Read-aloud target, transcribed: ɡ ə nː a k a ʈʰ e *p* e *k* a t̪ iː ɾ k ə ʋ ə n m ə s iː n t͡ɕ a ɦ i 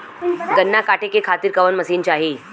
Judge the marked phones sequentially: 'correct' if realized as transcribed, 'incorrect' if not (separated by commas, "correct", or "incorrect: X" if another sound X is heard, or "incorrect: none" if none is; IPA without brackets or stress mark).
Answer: incorrect: k, incorrect: kʰ